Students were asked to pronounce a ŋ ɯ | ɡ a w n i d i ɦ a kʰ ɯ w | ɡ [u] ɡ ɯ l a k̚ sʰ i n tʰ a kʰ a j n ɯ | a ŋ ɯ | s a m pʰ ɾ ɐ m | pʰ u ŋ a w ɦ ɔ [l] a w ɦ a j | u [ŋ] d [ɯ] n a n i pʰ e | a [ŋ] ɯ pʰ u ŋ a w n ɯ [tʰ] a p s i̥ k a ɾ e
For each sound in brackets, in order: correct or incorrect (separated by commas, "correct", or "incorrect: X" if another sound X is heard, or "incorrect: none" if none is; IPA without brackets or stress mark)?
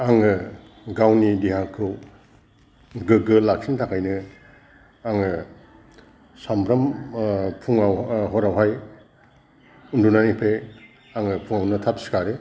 incorrect: ɯ, incorrect: ɾ, incorrect: n, incorrect: u, correct, correct